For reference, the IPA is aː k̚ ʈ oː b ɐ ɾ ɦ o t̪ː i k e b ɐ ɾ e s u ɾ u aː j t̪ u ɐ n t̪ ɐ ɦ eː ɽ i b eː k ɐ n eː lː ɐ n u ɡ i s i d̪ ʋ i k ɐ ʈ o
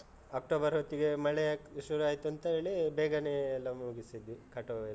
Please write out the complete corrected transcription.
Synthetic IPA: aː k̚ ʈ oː b ɐ ɾ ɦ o t̪ː i ɡ e m ɐ ɭ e ʃ u ɾ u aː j t̪ u ɐ n t̪ ɐ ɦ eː ɭ i b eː ɡ ɐ n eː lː ɐ m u ɡ i s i d̪ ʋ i k ɐ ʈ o